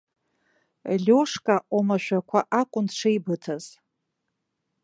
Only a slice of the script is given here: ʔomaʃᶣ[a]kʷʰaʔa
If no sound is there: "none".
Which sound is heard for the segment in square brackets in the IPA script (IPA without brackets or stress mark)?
a